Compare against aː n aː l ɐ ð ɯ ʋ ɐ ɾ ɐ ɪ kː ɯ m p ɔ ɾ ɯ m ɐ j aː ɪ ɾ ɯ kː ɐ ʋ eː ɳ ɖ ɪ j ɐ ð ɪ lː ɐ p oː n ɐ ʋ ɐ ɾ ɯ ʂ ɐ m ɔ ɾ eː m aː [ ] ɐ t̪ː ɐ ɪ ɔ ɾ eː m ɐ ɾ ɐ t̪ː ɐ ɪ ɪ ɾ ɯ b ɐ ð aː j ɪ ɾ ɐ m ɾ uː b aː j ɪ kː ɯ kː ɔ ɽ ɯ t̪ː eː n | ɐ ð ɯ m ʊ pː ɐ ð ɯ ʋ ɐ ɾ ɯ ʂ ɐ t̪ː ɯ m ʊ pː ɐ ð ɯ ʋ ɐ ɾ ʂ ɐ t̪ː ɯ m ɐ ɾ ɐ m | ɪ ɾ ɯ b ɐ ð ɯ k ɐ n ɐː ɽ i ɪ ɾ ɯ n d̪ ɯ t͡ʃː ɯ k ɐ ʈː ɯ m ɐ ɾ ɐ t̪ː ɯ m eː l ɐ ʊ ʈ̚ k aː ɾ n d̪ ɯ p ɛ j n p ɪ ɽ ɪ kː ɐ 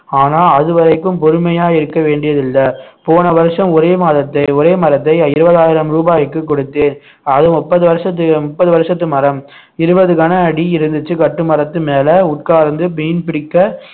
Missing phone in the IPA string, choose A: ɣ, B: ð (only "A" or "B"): B